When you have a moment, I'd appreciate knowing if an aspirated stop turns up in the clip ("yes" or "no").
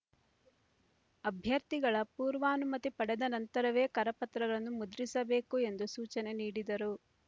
no